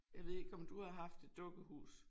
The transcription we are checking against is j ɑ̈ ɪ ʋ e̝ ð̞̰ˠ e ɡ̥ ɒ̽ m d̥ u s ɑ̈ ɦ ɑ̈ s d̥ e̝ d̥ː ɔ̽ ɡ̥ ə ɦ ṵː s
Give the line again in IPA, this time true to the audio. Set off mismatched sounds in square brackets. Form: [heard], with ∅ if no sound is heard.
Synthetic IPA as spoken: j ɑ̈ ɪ ʋ e̝ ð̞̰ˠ e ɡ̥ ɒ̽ m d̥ u [h] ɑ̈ ɦ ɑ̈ [f] d̥ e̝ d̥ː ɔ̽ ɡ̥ ə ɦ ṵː s